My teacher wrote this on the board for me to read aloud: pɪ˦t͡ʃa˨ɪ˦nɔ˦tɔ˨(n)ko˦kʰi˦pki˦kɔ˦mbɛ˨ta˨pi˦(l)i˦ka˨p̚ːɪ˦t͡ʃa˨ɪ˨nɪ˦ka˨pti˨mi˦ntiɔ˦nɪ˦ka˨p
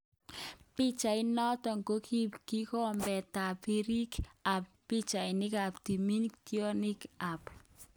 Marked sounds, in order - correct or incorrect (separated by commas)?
incorrect, incorrect